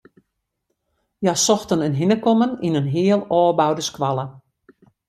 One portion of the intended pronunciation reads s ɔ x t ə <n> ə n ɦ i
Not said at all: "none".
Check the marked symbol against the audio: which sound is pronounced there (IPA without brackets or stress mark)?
n